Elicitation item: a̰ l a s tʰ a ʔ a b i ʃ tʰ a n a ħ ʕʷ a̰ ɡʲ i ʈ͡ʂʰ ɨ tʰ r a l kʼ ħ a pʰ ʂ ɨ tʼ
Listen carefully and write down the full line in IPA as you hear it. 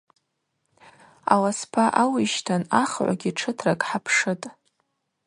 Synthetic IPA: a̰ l a s pʰ a ʔ a w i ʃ tʰ a n a χ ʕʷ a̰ ɡʲ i ʈ͡ʂʰ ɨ tʰ r a kʼ ħ a pʰ ʂ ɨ tʼ